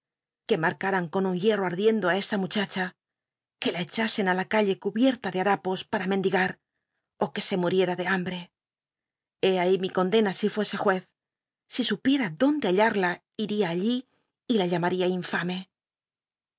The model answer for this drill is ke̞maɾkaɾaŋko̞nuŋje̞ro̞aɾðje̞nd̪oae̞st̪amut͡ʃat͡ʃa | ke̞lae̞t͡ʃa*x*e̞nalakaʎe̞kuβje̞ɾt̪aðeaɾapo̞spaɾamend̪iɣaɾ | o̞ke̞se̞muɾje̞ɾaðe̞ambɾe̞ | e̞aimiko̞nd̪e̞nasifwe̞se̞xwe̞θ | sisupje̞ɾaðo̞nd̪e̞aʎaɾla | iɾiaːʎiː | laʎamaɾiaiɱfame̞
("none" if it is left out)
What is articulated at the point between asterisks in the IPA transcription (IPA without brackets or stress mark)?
s